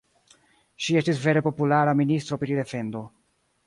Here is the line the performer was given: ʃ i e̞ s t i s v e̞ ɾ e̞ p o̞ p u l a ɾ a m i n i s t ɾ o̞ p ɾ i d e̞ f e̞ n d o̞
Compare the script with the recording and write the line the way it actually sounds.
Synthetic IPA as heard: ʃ i e̞ s t i s v e̞ ɾ e̞ p o̞ p u l a ɾ a m i n i s t ɾ o̞ p ɾ i d e̞ f e̞ n d o̞